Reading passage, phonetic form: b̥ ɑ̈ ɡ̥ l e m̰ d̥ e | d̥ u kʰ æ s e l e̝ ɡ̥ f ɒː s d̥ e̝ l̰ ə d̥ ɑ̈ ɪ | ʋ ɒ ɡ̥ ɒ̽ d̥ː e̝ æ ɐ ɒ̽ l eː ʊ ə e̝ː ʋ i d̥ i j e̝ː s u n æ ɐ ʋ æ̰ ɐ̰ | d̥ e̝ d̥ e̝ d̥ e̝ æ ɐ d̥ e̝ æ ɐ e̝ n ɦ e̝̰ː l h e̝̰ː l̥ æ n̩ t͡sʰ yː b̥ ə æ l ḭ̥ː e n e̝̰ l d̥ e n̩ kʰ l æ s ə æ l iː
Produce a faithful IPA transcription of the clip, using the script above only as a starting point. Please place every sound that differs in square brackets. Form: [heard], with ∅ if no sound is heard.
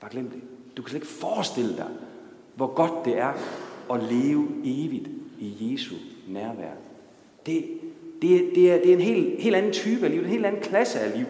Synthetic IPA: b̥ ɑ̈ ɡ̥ l e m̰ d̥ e | d̥ u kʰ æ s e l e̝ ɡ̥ f ɒː s d̥ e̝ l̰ ə d̥ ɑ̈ ɪ | ʋ ɒ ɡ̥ ɒ̽ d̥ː e̝ æ ɐ ɒ̽ l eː ʊ ə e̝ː ʋ i d̥ i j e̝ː s u n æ ɐ ʋ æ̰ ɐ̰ | d̥ e̝ d̥ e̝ d̥ e̝ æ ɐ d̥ e̝ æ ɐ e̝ n ɦ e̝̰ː l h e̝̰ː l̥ æ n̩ t͡sʰ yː b̥ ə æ l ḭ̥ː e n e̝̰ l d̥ [æ] n̩ kʰ l æ s ə æ l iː